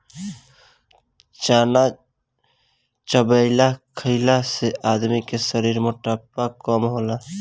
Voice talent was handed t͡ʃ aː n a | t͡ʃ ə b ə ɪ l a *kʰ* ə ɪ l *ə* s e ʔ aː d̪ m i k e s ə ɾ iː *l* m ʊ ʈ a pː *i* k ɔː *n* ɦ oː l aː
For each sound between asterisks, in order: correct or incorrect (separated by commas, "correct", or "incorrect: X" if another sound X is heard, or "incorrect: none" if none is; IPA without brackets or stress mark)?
correct, incorrect: a, incorrect: ɾ, incorrect: a, incorrect: m